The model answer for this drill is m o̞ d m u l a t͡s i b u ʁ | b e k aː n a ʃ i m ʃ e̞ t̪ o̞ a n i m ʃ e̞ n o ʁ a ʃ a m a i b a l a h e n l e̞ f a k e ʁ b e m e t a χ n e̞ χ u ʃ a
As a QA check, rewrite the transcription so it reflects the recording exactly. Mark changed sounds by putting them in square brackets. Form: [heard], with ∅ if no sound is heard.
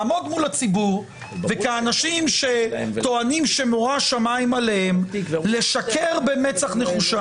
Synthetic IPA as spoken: m o̞ d m u l a t͡s i b u ʁ | [v] e k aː n a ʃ i m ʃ e̞ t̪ o̞ a n i m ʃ e̞ [m] o ʁ a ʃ a m a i [m] a l [e] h e [m] l e̞ [ʃ] a k e ʁ b e m e [t͡s] a χ n e̞ χ u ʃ a